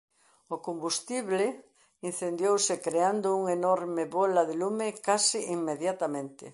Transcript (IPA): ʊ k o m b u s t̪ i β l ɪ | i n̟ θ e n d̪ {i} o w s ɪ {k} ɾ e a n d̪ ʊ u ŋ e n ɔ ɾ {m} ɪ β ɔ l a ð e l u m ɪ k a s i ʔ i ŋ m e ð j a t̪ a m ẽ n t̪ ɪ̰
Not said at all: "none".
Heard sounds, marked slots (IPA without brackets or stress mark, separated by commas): j, k, m